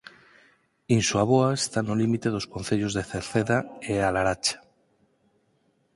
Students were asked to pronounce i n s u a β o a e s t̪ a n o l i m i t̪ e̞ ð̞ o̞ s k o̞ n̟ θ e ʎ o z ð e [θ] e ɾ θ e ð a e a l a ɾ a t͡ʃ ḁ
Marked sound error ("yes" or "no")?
no